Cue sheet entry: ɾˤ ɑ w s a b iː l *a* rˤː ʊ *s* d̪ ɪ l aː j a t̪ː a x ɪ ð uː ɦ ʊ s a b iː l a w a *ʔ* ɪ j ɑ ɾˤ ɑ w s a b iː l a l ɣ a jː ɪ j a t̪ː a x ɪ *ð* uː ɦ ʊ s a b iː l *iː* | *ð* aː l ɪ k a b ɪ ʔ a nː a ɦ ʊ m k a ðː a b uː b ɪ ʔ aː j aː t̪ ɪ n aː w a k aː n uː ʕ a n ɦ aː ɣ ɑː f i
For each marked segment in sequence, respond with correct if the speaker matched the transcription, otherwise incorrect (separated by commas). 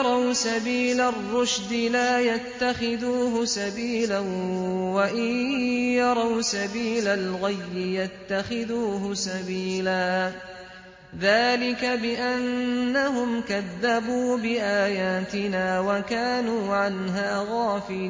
correct, incorrect, correct, correct, incorrect, correct